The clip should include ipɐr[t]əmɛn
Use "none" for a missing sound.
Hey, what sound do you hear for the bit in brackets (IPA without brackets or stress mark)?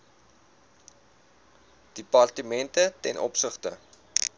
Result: t